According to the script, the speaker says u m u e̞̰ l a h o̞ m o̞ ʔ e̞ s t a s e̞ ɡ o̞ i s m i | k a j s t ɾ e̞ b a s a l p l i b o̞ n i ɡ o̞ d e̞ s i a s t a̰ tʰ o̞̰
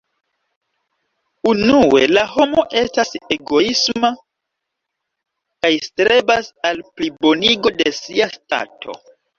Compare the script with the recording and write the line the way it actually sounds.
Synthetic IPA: u n u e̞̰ l a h o̞ m o̞ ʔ e̞ s t a s e̞ ɡ o̞ i s m a | k a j s t ɾ e̞ b a s a l p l i b o̞ n i ɡ o̞ d e̞ s i a s t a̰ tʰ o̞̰